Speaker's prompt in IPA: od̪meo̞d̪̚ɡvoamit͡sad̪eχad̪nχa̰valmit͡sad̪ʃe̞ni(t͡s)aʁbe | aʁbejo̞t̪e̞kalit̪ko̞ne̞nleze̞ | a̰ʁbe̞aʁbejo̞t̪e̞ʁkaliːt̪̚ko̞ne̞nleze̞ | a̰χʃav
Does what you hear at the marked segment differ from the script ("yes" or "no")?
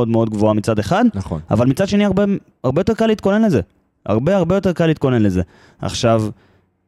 yes